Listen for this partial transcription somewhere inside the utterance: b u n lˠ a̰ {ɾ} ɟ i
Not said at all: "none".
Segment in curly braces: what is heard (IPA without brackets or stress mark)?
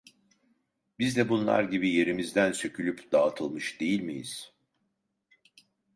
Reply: ɾ